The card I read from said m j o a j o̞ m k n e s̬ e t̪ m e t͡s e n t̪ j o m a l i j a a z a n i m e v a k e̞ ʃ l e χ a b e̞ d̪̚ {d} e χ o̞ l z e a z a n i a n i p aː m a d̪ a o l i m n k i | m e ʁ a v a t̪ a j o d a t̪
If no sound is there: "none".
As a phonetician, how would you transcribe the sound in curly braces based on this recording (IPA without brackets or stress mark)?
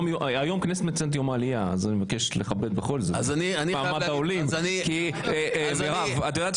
b